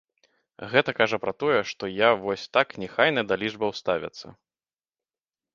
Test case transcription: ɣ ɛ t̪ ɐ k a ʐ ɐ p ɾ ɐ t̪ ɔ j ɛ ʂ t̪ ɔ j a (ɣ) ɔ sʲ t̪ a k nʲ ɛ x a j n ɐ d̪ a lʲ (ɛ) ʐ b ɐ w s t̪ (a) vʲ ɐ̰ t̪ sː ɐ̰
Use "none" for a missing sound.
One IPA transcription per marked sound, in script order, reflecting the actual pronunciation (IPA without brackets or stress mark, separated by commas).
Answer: v, i, a